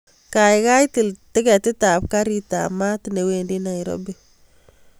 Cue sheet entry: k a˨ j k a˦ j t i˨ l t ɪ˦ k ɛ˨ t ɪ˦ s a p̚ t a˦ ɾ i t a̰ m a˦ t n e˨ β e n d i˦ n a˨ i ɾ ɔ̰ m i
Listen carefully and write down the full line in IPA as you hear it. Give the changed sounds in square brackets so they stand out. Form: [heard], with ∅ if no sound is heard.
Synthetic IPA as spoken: k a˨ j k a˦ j t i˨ l t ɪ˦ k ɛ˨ t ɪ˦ [t] a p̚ [k] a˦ ɾ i t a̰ m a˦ t n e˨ [w] e n d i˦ n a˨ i ɾ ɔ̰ [b] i